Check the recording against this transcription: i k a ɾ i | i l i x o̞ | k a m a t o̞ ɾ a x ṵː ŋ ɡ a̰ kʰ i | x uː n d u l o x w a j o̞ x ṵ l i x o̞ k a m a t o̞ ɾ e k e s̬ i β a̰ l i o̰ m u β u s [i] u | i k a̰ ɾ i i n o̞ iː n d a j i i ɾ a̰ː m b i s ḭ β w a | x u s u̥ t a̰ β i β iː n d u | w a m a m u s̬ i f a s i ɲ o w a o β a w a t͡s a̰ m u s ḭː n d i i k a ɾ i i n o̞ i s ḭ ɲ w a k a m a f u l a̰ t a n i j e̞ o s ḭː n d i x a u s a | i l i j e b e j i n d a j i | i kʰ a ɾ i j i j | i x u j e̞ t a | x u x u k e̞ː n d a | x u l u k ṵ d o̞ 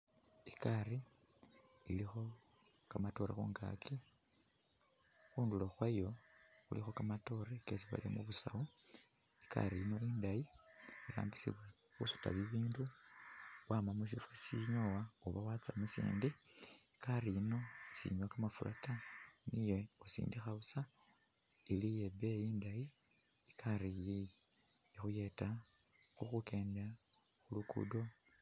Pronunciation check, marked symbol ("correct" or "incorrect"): incorrect